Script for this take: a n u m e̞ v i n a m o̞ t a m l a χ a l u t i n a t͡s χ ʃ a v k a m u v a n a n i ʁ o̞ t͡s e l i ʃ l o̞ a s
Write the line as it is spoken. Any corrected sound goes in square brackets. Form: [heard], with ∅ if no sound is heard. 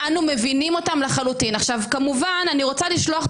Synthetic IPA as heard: a n u m e̞ v i n [i] m o̞ t a m l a χ a l u t i n a [∅] χ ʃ a v k a m u v a n a n i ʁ o̞ t͡s [a] l i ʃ l o̞ a [χ]